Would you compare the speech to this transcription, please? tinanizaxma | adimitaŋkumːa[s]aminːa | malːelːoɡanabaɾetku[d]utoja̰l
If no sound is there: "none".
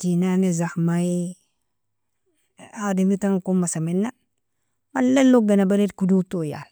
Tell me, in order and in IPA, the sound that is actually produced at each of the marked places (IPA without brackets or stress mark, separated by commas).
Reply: s, d